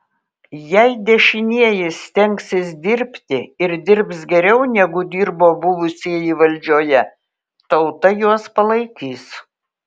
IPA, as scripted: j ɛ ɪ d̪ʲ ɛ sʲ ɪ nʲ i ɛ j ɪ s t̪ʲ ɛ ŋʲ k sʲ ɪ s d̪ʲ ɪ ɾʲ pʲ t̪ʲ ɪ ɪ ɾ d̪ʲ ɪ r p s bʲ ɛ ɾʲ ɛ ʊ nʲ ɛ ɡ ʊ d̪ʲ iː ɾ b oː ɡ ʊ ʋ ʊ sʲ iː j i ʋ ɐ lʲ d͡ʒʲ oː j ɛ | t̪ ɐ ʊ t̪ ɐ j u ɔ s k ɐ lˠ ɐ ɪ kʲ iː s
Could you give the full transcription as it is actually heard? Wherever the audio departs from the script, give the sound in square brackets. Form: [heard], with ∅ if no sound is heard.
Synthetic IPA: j ɛ ɪ d̪ʲ ɛ [ʃʲ] ɪ nʲ i ɛ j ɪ s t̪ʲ ɛ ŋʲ k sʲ ɪ s d̪ʲ ɪ ɾʲ pʲ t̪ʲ ɪ ɪ ɾ d̪ʲ ɪ [ɾ] p s [ɡʲ] ɛ ɾʲ ɛ ʊ nʲ ɛ ɡ ʊ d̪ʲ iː ɾ b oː [b] ʊ ʋ ʊ sʲ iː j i ʋ ɐ lʲ d͡ʒʲ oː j ɛ | t̪ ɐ ʊ t̪ ɐ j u ɔ s [p] ɐ lˠ ɐ ɪ kʲ iː s